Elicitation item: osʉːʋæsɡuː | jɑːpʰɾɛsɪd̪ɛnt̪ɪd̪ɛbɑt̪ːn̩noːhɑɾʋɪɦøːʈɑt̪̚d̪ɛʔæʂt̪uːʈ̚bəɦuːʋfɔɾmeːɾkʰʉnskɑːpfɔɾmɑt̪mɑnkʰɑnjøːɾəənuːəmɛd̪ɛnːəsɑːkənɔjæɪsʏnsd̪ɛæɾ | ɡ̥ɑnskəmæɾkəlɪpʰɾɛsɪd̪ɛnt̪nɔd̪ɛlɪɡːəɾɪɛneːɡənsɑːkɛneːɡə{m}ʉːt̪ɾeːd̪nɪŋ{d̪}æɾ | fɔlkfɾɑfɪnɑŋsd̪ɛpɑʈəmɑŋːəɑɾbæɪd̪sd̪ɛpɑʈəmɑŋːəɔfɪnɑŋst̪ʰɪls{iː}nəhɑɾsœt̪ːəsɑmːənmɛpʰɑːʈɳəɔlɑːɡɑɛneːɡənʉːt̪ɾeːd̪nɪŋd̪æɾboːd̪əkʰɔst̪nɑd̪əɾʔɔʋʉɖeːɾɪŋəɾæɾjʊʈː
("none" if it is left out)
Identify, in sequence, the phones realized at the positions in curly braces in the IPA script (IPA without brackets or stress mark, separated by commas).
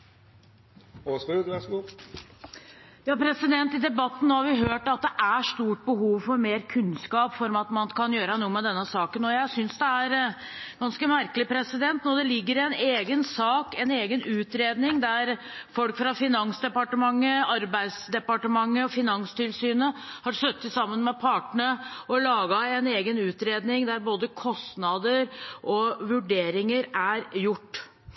n, d̪, yː